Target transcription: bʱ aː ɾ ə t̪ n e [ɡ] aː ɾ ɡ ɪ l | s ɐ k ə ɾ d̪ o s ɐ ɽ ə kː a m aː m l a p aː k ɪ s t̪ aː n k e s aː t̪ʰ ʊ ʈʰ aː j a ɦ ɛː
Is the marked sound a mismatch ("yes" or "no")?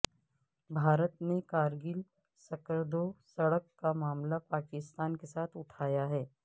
yes